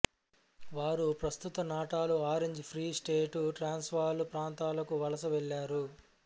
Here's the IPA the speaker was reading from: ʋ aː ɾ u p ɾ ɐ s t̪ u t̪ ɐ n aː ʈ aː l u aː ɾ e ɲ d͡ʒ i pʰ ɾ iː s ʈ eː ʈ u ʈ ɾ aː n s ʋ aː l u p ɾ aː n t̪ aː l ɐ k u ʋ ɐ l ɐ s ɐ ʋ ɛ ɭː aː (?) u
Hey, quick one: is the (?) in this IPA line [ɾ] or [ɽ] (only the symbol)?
ɾ